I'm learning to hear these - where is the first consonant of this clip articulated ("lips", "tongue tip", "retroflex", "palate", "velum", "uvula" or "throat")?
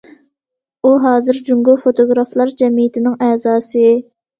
throat